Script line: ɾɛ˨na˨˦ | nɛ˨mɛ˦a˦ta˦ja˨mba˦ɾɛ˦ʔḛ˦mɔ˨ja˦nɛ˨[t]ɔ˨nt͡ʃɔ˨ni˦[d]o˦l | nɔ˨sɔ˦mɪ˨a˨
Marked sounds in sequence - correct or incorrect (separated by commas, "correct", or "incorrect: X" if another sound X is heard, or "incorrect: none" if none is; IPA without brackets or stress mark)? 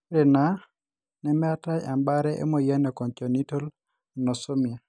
incorrect: k, incorrect: t